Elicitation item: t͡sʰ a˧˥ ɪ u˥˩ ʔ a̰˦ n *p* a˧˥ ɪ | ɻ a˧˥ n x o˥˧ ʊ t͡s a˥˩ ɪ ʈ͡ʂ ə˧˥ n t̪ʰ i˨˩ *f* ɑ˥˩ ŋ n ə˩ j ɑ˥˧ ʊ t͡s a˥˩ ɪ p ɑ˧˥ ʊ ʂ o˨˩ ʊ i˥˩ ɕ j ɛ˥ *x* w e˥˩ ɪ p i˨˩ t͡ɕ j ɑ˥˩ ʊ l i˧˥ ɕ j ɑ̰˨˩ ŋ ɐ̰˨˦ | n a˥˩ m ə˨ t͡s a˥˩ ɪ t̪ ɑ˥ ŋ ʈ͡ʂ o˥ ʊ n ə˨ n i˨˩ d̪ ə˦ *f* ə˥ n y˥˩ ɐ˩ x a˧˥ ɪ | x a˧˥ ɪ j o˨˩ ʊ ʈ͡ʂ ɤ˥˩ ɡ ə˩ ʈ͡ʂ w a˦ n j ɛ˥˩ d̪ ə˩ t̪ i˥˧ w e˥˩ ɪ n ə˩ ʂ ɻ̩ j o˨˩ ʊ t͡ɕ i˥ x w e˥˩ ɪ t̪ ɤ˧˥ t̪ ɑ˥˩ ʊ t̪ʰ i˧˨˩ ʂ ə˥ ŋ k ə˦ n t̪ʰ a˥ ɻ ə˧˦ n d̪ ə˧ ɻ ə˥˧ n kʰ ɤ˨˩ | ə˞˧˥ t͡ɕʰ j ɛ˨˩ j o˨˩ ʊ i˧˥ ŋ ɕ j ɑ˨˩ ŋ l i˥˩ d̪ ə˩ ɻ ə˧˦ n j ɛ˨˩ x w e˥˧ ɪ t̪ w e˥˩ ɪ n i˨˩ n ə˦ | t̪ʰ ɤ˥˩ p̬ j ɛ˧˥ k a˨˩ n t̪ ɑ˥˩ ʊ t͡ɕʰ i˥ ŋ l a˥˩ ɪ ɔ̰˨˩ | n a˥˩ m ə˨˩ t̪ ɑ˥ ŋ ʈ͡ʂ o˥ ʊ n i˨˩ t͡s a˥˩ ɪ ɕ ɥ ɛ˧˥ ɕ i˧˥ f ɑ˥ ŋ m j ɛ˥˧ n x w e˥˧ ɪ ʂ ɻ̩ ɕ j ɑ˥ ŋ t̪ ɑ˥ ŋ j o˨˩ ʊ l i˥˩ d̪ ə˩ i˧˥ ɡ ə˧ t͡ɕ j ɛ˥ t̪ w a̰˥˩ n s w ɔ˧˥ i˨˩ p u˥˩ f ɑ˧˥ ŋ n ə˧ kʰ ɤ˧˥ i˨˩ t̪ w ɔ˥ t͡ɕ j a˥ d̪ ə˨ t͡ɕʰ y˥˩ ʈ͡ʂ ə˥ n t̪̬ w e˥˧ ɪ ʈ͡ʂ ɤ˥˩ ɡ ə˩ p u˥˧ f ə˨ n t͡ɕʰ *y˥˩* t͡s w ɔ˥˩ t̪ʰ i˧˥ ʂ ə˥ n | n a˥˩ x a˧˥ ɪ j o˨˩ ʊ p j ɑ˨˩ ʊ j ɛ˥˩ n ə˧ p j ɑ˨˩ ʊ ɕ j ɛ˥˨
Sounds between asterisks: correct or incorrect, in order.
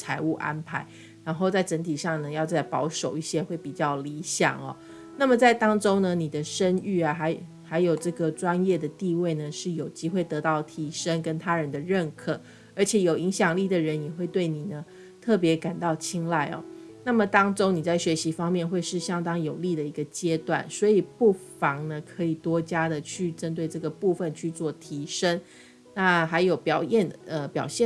incorrect, incorrect, correct, incorrect, incorrect

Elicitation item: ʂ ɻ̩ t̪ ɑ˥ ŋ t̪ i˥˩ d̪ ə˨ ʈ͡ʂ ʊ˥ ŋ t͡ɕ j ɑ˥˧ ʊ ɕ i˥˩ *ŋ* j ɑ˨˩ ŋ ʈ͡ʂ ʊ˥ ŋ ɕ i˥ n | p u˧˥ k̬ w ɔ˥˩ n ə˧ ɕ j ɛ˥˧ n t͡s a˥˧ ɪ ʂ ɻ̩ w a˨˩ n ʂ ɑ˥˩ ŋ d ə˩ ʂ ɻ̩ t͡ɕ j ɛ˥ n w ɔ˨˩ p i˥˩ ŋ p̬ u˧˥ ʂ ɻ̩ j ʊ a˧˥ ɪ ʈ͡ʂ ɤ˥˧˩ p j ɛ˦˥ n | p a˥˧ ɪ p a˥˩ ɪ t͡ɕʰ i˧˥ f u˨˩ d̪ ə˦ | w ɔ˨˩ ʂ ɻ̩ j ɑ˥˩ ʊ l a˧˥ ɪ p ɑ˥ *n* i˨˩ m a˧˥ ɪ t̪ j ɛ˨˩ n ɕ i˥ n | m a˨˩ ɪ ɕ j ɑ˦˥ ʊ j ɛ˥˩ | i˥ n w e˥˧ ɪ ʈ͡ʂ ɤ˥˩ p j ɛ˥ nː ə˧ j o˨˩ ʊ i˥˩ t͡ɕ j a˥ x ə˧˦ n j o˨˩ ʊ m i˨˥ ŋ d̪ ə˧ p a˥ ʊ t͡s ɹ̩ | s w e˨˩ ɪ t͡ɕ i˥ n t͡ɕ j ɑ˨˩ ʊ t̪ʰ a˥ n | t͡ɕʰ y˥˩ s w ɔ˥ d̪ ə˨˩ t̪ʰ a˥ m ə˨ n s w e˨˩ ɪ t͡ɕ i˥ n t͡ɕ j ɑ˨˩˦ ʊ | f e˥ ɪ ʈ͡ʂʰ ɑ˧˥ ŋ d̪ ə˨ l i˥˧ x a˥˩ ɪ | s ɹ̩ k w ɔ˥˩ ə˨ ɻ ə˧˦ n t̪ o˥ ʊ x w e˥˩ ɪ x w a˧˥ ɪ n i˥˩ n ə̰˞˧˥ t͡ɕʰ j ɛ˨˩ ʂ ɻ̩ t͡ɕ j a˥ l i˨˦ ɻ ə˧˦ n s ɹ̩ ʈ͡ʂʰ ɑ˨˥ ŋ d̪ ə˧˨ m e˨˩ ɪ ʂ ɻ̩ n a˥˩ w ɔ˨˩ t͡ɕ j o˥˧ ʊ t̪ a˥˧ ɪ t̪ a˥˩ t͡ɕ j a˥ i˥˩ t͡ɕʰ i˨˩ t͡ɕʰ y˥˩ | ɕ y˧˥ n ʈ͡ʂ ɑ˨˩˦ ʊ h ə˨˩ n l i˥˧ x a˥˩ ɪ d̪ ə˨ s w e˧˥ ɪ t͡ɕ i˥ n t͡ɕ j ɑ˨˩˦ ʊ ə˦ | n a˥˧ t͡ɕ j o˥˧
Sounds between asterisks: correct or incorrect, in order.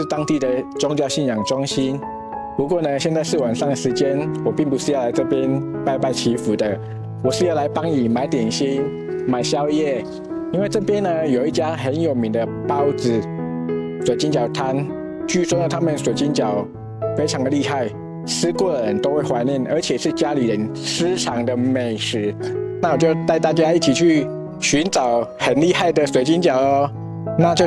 incorrect, incorrect

